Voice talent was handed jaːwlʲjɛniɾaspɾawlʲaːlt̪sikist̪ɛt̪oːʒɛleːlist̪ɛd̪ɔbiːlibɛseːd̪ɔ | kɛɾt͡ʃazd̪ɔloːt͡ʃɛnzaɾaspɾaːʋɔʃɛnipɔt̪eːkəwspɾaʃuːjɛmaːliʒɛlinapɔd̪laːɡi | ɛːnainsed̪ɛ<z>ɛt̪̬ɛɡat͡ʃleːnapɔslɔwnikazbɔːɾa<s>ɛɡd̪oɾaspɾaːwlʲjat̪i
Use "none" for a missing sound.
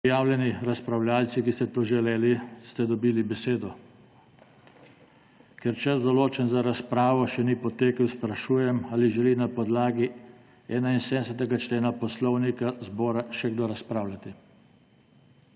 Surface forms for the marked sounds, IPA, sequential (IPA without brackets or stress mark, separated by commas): s, ʃ